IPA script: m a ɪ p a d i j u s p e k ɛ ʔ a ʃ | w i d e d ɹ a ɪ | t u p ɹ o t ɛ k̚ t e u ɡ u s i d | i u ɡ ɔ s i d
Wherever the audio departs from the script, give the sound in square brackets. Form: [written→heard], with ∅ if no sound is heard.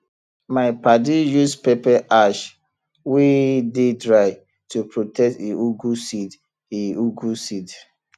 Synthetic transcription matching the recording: m a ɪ p a d i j u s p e [k→p] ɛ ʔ a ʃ | w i d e d ɹ a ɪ | t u p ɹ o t ɛ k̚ t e u ɡ u s i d | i u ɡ [ɔ→u] s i d